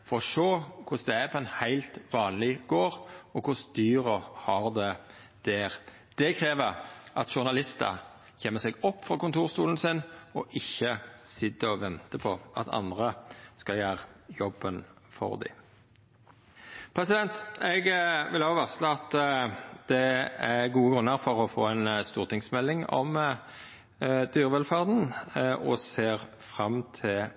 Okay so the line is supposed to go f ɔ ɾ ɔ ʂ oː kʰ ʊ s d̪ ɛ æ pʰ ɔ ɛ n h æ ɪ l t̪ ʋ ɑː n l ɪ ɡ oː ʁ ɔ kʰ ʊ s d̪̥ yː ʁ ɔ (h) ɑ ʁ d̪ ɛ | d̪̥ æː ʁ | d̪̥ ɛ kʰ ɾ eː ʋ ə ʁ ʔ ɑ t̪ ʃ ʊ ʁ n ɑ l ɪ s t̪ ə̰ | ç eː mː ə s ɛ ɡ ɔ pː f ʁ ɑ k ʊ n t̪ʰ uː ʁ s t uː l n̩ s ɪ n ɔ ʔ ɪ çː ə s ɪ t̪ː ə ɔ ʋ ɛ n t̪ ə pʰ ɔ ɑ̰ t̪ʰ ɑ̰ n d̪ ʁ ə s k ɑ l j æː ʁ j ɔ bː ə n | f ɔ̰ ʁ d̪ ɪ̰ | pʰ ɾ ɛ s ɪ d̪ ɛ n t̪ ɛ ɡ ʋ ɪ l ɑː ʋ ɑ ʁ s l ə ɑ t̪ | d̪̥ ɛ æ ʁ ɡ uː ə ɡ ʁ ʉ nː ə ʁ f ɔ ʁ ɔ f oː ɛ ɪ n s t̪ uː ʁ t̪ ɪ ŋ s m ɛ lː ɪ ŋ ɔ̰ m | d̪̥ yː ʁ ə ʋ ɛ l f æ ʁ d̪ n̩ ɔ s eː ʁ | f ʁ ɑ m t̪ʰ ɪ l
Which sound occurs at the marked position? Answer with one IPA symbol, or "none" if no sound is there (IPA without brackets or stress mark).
h